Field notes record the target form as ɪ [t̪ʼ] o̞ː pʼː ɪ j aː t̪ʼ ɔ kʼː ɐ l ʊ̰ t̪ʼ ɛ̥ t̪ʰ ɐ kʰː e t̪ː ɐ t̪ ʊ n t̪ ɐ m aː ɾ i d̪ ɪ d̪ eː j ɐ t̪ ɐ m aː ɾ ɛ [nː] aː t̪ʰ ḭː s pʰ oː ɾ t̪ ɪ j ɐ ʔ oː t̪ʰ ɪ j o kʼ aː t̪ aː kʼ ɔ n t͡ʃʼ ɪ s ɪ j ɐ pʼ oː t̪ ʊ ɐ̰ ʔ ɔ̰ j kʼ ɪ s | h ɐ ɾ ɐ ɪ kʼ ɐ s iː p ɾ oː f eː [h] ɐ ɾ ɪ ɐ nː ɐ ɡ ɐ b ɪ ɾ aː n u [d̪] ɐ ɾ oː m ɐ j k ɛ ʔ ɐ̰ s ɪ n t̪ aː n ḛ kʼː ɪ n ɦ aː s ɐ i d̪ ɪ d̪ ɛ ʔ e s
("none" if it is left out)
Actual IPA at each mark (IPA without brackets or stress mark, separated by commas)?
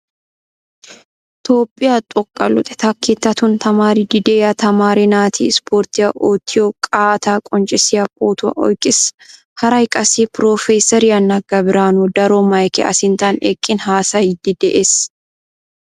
t̪, n, s, d̪